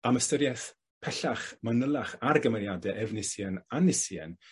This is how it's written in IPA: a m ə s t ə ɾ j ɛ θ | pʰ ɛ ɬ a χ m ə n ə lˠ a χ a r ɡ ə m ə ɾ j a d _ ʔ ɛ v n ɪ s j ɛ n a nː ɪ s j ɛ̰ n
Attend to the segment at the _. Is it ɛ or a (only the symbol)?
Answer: ɛ